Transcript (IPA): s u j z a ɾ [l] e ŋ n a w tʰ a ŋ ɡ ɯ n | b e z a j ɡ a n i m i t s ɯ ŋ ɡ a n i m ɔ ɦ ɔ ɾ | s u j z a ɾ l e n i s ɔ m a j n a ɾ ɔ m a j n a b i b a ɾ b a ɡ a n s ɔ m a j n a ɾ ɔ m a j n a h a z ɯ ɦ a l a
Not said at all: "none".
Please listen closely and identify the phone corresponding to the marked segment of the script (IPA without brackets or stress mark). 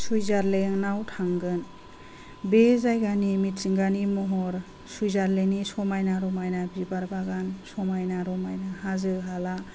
l